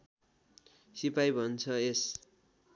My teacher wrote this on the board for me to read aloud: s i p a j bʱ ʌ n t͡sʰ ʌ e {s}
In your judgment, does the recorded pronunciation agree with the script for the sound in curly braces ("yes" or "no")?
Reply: yes